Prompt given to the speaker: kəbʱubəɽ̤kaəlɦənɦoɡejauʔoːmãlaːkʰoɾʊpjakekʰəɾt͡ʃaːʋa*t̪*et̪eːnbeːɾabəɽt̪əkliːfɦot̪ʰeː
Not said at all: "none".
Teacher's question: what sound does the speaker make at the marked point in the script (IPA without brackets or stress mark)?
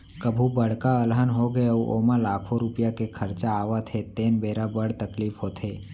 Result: t̪ʰ